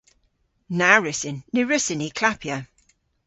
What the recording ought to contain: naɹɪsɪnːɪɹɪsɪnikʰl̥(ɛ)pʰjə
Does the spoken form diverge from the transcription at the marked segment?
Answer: yes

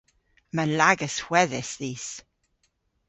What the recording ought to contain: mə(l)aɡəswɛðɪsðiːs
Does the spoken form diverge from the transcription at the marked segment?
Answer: no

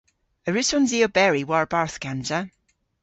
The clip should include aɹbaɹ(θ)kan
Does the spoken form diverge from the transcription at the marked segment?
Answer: no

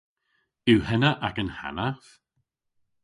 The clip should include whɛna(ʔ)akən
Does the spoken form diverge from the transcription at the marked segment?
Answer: no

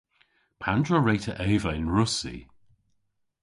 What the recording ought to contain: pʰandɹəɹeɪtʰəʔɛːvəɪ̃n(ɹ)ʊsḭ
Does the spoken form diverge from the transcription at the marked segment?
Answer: no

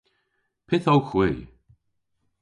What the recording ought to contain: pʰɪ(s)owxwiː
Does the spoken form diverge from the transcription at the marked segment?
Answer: yes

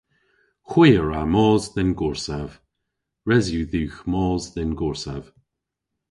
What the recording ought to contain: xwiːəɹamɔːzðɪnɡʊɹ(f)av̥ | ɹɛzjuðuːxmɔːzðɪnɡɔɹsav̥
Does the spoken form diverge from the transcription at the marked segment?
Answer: yes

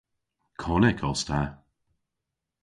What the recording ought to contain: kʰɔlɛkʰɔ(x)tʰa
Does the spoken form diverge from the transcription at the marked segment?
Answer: yes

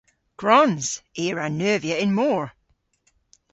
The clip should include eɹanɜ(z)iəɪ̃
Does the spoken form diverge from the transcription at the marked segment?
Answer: yes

